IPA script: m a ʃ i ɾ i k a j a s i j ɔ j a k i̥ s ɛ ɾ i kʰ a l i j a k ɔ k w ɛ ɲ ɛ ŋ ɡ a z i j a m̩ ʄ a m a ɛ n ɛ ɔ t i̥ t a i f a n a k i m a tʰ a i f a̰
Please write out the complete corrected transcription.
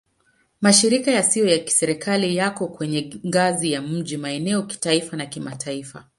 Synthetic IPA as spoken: m a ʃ i ɾ i k a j a s i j ɔ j a k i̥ s ɛ ɾ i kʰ a l i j a k ɔ k w ɛ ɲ ɛ ŋ ɡ a z i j a m̩ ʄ i m a ɛ n ɛ ɔ k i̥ t a i f a n a k i m a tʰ a i f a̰